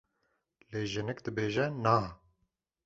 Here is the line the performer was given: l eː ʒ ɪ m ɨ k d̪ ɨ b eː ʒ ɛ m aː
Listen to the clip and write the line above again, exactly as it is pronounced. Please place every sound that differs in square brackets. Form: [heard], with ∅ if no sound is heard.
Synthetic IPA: l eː ʒ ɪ [n] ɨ k d̪ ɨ b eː ʒ ɛ [n] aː